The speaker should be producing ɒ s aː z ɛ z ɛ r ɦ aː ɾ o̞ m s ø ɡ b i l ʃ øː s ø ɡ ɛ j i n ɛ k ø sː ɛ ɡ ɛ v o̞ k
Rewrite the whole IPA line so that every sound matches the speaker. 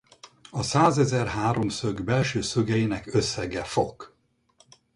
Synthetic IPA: ɒ s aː z ɛ z ɛ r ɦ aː ɾ o̞ m s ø ɡ b ɛ l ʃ øː s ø ɡ ɛ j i n ɛ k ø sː ɛ ɡ ɛ f o̞ k